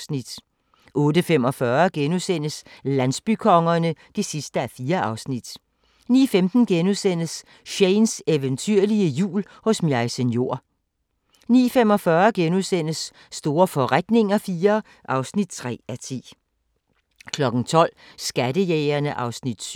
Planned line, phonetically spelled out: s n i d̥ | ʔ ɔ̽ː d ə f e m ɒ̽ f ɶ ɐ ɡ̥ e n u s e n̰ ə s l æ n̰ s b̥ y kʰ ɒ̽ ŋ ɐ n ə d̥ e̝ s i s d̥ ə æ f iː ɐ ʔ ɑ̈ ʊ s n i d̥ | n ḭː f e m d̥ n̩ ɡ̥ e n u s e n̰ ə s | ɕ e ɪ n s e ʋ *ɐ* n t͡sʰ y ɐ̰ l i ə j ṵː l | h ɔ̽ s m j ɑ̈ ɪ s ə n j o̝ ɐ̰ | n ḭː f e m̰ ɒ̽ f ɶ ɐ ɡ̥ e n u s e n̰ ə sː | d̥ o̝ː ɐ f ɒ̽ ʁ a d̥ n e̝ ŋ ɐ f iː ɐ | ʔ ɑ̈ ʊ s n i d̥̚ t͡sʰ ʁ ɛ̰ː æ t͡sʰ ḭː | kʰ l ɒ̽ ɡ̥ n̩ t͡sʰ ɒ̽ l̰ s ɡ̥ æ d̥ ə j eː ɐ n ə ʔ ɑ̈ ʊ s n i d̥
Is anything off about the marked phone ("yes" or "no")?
yes